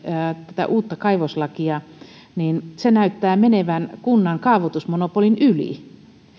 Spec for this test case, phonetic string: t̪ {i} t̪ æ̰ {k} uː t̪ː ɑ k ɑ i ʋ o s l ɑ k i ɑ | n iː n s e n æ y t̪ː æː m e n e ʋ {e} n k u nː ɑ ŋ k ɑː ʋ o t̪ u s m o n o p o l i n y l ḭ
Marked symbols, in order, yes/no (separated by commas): no, no, no